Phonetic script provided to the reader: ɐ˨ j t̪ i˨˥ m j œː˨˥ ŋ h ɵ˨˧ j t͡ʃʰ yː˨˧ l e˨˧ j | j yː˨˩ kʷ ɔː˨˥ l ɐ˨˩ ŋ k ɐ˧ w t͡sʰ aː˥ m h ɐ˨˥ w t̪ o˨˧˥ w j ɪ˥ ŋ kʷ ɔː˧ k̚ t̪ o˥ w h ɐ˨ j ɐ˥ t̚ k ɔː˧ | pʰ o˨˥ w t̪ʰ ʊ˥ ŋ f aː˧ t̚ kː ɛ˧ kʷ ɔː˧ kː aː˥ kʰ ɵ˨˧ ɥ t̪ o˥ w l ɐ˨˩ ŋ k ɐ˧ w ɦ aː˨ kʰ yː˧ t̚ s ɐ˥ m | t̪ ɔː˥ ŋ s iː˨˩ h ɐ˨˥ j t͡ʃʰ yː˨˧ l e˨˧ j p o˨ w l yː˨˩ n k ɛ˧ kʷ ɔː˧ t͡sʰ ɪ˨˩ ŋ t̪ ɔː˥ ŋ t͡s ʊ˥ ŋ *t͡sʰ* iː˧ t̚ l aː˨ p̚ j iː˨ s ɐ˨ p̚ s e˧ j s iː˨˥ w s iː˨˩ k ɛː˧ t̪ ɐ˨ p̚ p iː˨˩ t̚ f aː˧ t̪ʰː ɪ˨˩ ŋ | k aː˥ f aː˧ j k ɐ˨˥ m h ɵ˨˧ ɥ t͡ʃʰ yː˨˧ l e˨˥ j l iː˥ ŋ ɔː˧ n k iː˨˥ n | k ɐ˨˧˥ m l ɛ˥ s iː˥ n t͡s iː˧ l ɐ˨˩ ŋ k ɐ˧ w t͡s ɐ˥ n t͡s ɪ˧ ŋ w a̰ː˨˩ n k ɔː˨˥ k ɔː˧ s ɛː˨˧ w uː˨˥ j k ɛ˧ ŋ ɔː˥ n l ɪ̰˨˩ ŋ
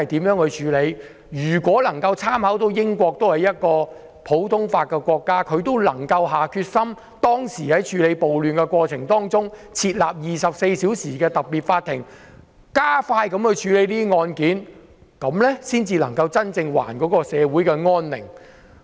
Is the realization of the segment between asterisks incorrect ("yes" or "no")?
no